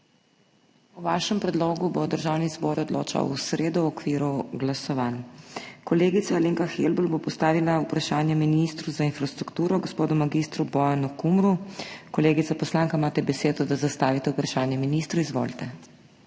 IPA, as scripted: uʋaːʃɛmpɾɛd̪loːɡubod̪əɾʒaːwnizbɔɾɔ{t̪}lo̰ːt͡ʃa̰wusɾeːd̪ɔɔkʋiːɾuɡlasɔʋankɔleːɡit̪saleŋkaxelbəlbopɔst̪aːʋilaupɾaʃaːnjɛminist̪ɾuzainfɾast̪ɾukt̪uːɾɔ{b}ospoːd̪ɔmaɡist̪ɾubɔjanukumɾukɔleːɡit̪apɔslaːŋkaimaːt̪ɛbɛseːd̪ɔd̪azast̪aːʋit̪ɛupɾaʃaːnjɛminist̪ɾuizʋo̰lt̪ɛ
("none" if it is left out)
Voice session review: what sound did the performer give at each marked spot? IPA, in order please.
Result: d̪, ɡ

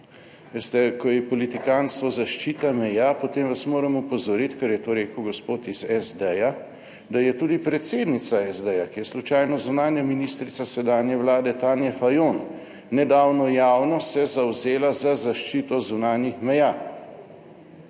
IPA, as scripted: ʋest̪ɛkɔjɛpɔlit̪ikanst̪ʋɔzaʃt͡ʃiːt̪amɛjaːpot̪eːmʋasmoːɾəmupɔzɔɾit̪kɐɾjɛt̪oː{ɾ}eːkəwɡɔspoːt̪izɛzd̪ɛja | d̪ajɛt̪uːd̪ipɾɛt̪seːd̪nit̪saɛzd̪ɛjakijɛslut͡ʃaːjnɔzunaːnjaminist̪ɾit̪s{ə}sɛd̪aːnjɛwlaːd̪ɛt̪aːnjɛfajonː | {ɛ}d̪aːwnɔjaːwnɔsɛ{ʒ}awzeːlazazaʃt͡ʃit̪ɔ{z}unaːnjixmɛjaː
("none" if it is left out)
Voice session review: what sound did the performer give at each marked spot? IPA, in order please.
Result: ɾ, a, ɛ, z, z

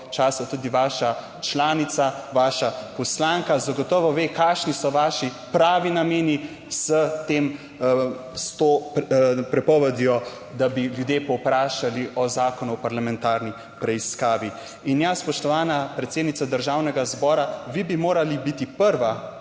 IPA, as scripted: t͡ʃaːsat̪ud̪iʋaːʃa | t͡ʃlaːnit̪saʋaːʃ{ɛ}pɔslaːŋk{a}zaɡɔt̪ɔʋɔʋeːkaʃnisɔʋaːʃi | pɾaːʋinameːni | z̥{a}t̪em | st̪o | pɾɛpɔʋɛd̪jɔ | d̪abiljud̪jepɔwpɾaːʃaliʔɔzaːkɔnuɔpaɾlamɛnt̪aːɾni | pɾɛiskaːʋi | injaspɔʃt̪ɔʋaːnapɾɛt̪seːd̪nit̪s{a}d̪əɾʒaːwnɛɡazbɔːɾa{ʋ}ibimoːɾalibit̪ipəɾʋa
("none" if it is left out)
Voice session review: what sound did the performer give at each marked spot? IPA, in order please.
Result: a, a, ə, a, ʋ

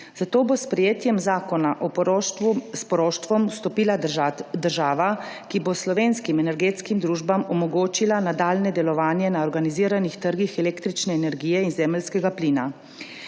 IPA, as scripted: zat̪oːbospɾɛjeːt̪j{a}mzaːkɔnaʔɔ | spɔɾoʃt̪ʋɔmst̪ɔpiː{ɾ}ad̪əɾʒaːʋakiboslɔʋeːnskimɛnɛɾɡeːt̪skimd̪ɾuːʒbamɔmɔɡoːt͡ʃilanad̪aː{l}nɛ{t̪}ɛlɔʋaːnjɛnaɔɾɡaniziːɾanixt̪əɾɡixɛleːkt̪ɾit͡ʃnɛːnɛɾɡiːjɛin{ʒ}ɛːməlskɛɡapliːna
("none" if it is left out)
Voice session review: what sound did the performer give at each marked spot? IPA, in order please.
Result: ɛ, l, l, d̪, z

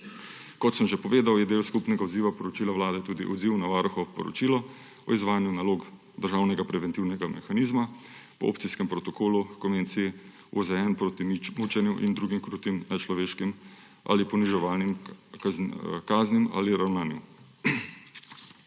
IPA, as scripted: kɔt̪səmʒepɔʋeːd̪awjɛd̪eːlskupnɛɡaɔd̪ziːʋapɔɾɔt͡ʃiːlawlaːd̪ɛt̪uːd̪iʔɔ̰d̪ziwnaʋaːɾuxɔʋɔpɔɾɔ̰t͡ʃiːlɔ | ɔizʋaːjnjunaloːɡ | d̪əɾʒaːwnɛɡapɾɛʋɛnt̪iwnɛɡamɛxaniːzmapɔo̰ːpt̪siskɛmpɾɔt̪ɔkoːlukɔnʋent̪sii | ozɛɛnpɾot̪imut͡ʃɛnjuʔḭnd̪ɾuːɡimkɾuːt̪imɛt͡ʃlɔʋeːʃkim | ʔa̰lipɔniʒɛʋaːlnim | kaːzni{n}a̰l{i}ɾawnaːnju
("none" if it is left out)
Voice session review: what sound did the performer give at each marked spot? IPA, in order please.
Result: m, i

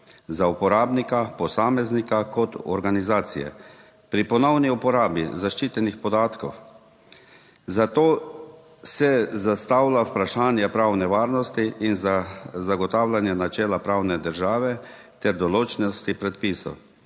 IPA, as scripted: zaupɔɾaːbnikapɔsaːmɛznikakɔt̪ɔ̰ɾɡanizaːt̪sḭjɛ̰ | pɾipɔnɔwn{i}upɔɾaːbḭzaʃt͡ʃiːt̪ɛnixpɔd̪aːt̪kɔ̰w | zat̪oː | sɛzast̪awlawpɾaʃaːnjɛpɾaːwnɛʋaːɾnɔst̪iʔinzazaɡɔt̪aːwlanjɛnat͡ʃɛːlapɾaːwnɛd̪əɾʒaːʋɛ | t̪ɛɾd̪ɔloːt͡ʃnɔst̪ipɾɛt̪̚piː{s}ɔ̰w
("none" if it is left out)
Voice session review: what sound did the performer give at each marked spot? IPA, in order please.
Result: i, s

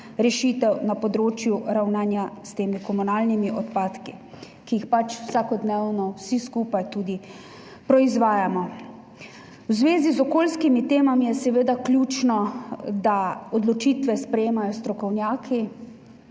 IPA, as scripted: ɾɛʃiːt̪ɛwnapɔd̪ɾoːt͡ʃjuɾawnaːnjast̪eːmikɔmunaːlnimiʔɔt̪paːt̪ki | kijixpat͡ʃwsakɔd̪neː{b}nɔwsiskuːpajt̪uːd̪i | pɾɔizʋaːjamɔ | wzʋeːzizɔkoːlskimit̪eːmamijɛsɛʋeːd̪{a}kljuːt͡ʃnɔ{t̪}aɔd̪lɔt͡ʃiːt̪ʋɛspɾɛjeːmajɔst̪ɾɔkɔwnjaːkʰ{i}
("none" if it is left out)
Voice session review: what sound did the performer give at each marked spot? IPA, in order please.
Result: w, a, d̪, i

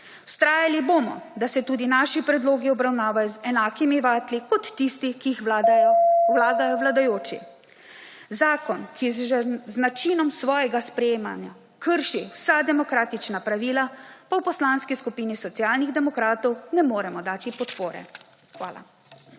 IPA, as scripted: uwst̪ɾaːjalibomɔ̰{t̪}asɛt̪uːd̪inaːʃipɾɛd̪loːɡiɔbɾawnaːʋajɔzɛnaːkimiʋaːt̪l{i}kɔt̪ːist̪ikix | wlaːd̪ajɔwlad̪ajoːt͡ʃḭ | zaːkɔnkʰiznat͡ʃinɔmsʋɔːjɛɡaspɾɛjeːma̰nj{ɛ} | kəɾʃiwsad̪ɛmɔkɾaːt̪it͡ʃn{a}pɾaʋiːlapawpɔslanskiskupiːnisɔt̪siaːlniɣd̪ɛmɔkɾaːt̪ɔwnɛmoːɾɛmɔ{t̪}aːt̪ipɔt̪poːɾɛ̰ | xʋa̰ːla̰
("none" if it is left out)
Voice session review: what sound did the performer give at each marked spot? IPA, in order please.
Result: d̪, i, a, a, d̪

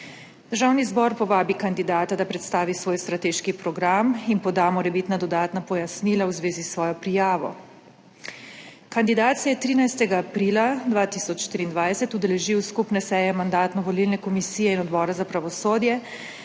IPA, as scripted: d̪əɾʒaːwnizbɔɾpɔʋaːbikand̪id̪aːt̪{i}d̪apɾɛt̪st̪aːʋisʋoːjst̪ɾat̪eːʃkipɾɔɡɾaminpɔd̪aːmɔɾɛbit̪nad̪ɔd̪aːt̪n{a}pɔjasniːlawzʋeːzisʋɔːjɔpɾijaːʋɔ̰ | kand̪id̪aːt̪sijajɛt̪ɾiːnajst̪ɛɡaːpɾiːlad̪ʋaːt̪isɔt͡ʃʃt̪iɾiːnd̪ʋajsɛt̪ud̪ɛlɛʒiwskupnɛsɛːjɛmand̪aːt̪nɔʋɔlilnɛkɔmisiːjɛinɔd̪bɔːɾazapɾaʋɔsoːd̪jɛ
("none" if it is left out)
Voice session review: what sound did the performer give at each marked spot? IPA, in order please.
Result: a, a

